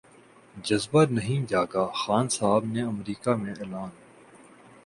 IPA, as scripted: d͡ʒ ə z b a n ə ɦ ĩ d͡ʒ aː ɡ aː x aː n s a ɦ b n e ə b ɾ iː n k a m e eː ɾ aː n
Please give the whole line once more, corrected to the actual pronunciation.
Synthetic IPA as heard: d͡ʒ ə z b a n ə ɦ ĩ d͡ʒ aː ɡ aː x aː n s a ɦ b n e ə m ɾ iː k a m ẽ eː l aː n